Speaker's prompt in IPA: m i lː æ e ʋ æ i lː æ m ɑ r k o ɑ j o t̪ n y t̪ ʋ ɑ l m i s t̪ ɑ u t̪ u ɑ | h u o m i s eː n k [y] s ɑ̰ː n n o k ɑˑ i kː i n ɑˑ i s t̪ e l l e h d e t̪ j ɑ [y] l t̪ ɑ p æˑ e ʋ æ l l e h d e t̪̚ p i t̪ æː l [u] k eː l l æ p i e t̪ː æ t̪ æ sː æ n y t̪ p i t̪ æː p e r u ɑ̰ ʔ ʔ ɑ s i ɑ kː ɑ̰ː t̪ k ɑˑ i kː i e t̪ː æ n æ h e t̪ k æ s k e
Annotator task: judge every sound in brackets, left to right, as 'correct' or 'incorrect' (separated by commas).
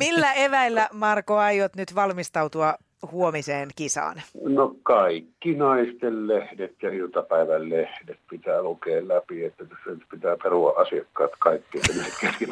incorrect, incorrect, correct